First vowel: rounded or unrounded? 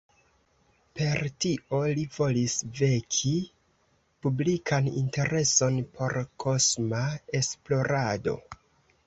unrounded